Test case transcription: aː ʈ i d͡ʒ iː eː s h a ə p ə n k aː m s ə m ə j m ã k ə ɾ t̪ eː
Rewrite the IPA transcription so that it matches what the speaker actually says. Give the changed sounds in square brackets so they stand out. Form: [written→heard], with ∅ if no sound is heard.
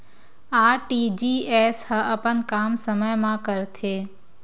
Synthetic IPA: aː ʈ i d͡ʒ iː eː s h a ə p ə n k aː m s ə m ə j m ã k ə ɾ [t̪→t̪ʰ] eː